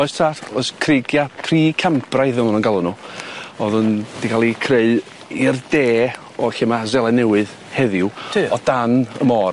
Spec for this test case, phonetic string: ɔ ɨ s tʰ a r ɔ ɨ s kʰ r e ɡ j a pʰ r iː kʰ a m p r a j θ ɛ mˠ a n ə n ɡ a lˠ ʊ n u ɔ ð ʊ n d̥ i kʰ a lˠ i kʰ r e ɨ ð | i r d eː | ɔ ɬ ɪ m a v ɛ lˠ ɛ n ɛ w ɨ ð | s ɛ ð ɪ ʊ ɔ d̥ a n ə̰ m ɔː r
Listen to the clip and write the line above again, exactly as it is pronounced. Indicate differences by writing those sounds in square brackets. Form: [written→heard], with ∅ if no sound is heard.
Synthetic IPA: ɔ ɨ s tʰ a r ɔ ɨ s kʰ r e ɡ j a pʰ r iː kʰ a m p r a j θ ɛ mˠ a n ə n ɡ a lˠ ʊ n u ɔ ð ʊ n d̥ i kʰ a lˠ i kʰ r e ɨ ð | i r d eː | ɔ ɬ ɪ m a [v→z] ɛ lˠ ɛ n ɛ w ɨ ð | [s→h] ɛ ð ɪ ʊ ɔ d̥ a n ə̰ m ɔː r